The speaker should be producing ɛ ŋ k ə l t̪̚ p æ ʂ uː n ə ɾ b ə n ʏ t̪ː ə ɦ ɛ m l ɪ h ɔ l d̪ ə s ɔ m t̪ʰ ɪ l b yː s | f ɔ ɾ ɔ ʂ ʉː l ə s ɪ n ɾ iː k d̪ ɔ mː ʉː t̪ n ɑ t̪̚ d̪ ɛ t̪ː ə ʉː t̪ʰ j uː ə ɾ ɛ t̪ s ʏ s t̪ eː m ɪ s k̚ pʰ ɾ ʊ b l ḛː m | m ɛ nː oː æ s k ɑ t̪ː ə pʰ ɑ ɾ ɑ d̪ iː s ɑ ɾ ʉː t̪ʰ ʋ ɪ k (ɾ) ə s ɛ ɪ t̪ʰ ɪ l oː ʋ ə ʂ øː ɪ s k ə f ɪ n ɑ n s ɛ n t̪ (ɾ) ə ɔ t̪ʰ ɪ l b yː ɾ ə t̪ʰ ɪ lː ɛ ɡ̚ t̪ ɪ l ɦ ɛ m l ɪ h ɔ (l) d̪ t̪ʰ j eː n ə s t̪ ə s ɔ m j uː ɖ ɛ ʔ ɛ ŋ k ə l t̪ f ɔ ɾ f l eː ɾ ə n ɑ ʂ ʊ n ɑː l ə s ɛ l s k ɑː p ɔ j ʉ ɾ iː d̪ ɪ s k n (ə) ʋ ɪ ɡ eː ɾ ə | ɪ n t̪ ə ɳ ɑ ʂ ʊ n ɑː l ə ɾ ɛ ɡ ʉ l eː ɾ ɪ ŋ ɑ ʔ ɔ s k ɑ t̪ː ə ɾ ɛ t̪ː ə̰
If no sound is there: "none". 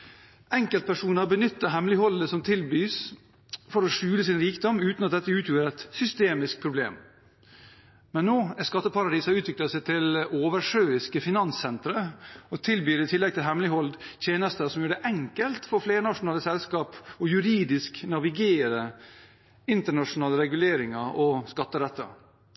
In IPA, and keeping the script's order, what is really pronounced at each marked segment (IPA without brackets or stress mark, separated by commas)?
l, ɾ, l, ɑ